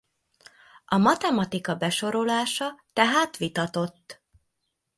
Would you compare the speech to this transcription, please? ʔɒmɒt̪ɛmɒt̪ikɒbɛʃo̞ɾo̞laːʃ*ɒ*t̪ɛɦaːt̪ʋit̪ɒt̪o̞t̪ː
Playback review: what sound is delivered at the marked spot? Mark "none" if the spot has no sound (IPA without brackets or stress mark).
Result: ɒ